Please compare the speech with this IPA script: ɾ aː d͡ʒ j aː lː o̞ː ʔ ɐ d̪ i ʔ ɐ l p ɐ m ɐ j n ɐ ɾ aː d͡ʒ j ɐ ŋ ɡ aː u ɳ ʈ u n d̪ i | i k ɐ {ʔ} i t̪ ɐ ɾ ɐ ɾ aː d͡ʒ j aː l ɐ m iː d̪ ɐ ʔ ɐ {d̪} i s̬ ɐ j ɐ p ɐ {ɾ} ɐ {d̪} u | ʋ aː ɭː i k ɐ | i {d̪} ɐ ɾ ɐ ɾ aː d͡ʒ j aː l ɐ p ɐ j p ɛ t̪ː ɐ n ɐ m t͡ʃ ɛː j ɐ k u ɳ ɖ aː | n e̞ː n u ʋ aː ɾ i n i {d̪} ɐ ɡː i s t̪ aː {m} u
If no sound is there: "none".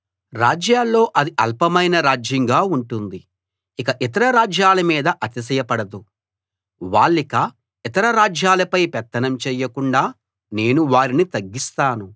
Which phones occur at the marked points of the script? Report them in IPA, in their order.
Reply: ʔ, t̪, ɽ, d̪, t̪, t̪, n

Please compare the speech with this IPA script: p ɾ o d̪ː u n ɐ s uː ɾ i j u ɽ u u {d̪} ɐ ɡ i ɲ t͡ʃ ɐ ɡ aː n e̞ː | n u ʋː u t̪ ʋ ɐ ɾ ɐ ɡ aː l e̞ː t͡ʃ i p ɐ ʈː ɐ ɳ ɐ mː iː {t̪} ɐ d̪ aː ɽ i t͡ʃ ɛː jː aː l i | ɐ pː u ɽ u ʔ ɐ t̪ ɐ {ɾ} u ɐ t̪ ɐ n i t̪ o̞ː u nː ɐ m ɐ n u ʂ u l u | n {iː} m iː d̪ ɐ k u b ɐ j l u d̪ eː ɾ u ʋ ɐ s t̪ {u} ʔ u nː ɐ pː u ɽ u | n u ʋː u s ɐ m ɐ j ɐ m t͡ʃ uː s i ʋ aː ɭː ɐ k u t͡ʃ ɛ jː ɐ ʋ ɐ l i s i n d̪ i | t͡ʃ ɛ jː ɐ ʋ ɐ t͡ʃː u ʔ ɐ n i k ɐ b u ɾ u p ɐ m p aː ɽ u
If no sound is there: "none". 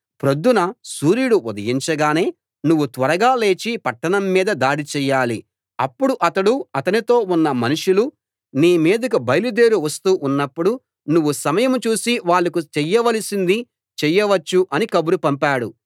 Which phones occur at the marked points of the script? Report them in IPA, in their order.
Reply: d̪, d̪, ɽ, iː, uː

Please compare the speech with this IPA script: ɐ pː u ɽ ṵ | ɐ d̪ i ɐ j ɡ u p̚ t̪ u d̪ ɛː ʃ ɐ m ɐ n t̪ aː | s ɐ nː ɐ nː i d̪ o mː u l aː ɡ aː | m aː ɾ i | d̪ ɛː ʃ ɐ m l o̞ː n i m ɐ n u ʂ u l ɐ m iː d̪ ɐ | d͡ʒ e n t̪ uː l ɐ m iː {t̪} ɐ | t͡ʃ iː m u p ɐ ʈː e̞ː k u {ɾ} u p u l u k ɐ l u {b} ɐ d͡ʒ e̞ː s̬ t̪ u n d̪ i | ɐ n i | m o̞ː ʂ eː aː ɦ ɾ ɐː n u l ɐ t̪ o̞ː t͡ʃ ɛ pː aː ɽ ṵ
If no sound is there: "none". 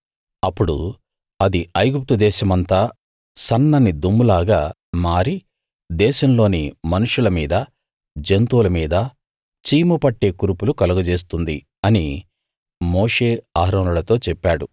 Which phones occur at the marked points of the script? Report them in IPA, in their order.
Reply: d̪, ɾ, ɡ

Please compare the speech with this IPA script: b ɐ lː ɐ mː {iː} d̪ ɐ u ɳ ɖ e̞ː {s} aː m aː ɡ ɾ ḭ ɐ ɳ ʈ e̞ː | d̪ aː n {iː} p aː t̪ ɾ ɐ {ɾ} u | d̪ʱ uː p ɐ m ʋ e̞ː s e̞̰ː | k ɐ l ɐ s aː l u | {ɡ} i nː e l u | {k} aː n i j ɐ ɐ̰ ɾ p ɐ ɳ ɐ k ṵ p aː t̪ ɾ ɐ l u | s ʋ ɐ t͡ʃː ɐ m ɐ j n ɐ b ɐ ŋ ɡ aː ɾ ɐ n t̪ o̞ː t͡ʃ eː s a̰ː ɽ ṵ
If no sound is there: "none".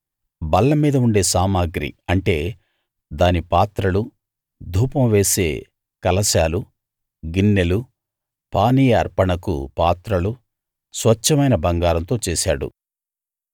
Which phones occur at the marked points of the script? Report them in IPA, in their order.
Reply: iː, s, i, l, ɡ, p

